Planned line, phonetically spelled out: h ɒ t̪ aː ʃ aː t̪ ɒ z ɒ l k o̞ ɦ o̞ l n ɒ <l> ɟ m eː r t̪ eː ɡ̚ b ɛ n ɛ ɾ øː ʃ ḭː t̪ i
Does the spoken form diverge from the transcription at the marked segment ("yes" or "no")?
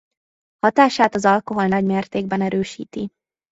yes